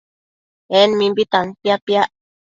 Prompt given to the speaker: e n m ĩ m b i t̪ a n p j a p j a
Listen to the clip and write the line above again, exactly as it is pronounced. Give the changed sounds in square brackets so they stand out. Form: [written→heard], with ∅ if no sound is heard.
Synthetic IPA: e n m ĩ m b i t̪ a n p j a p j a